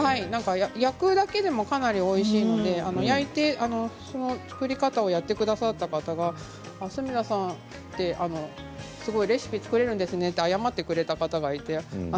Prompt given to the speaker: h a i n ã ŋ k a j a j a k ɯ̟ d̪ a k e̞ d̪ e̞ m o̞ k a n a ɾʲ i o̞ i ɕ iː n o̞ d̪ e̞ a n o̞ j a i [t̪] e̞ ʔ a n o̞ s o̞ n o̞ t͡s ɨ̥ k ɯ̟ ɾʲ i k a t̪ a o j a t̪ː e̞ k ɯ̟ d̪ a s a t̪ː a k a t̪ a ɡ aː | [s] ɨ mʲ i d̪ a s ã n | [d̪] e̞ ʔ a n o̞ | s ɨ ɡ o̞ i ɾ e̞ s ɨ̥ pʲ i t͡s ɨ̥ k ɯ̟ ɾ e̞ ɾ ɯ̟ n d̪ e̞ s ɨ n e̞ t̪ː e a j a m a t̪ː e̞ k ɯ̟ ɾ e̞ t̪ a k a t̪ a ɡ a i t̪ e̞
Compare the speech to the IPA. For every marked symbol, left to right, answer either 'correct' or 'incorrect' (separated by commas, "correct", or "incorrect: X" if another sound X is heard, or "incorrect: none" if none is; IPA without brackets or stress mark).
correct, correct, incorrect: t̪